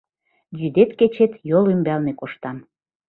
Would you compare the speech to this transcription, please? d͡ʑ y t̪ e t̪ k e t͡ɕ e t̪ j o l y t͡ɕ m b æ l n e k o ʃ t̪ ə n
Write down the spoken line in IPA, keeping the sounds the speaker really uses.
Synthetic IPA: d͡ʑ y d̪ e t̪ k e t͡ɕ e t̪ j o l y m b æ l n e k o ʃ t̪ ɑ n